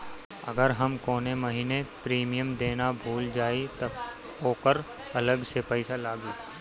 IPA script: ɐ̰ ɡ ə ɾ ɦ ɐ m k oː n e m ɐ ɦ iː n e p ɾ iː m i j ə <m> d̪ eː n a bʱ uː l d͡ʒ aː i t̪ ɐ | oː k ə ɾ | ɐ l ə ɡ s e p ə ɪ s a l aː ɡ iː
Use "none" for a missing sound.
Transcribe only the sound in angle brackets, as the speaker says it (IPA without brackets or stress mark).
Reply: m